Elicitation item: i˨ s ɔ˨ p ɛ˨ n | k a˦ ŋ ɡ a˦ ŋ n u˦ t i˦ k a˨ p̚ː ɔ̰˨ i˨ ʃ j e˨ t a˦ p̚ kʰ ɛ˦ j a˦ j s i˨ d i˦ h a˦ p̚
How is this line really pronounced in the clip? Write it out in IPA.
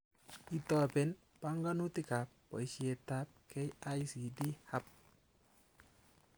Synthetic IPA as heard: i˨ t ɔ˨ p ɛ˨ n | p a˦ ŋ ɡ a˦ n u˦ t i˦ k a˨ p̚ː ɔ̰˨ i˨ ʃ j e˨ t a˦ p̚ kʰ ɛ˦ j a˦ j s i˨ d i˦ h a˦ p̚